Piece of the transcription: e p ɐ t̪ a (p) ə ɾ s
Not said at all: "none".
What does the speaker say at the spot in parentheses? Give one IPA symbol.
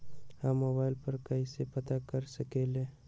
k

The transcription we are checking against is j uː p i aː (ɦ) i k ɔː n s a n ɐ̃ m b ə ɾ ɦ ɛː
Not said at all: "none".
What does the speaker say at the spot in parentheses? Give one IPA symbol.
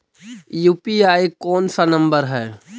none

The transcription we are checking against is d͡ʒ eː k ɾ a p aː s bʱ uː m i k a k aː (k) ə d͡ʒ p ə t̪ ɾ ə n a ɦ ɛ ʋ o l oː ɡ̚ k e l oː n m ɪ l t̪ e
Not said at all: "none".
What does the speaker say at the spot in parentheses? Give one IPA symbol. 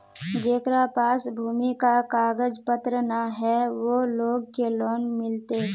ɡ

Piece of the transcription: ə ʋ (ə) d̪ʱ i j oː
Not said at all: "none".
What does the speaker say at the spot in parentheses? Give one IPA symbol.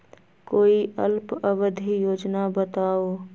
ə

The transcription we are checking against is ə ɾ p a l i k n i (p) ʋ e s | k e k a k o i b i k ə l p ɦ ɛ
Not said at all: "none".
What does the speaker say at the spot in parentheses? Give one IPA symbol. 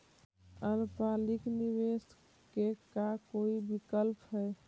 none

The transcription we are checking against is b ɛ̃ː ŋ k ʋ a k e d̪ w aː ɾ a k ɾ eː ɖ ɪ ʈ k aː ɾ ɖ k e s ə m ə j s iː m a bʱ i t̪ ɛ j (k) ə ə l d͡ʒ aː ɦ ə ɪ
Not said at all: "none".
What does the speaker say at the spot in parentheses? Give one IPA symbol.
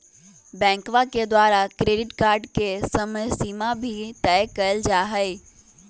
k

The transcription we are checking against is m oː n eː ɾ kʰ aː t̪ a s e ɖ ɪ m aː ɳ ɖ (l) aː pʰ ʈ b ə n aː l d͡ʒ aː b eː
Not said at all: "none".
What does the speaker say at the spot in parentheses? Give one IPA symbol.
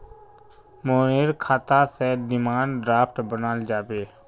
ɾ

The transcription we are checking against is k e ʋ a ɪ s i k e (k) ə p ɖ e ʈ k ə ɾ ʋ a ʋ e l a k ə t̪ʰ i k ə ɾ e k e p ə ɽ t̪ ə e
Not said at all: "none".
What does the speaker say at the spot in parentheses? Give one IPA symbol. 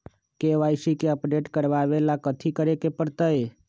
none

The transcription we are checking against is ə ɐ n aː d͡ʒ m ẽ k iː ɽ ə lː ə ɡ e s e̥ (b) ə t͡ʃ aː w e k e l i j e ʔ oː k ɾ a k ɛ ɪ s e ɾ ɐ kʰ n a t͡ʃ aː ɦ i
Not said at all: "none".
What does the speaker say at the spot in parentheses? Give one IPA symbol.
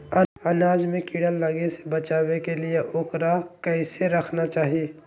b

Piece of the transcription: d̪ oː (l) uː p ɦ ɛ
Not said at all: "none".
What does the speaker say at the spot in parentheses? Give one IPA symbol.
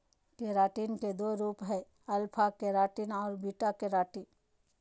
ɾ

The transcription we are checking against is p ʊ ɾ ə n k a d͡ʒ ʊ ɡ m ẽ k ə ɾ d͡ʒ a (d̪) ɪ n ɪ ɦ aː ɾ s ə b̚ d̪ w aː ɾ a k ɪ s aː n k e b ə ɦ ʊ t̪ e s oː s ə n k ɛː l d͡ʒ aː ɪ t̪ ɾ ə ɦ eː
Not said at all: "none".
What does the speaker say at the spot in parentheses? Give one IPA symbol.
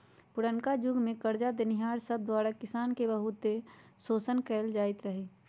d̪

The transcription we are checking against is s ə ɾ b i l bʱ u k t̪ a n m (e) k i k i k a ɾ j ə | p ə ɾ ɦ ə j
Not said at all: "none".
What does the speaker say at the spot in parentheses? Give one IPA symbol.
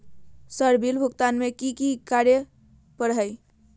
e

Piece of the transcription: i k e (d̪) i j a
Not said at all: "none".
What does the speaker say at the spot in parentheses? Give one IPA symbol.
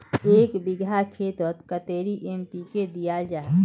d̪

